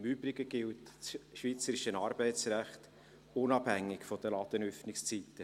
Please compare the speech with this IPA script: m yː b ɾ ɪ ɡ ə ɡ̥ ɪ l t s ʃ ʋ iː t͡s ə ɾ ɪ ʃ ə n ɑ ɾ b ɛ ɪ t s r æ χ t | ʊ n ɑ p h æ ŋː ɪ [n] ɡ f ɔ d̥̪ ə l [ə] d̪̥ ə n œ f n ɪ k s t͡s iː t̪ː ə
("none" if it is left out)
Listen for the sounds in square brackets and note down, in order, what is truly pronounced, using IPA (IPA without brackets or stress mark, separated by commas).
none, ɑ